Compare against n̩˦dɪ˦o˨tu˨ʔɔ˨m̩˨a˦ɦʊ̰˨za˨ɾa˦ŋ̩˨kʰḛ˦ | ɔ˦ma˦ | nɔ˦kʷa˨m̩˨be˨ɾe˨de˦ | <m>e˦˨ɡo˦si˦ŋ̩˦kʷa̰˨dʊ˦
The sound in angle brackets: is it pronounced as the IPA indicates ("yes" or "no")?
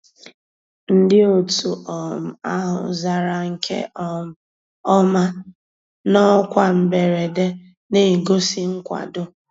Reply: no